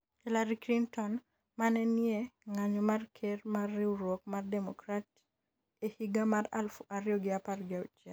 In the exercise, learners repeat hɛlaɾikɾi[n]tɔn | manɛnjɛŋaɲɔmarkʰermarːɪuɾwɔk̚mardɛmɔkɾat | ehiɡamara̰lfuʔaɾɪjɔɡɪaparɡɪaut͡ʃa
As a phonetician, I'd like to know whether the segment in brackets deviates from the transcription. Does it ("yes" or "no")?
no